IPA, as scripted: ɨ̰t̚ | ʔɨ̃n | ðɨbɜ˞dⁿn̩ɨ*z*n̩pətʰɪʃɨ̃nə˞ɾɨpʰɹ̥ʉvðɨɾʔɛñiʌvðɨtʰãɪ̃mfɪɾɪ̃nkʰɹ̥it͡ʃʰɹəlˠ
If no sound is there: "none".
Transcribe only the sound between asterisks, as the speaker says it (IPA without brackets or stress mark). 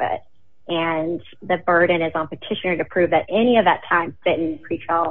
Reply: z